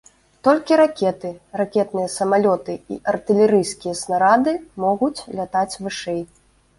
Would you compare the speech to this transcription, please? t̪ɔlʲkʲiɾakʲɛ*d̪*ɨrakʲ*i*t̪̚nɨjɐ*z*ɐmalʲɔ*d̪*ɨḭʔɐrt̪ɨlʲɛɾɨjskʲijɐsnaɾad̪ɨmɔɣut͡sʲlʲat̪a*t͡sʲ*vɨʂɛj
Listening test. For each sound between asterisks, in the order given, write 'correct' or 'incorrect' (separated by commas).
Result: incorrect, incorrect, incorrect, incorrect, correct